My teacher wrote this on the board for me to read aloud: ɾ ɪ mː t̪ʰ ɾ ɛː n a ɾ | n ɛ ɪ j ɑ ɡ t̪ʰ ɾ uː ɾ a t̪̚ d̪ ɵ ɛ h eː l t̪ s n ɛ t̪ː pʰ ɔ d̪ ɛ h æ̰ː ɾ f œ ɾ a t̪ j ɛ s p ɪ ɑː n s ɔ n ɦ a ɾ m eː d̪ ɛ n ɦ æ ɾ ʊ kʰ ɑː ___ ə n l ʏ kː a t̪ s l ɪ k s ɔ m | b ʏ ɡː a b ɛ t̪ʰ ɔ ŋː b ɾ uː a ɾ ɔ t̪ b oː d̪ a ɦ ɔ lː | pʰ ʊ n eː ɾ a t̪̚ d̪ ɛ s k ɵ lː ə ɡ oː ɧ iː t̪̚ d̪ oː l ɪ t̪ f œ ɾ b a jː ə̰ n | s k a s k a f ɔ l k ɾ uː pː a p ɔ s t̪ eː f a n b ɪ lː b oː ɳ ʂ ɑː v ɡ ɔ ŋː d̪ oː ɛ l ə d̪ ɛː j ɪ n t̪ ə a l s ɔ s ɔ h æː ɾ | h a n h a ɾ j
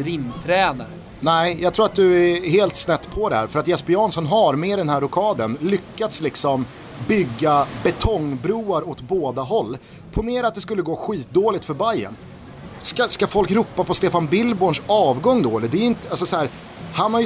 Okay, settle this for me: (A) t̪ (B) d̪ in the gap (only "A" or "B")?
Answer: B